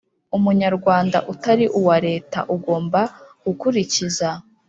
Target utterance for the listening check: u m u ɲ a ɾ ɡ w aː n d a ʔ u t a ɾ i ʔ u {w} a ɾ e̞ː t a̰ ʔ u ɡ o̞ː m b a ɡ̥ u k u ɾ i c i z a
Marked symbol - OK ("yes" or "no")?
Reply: yes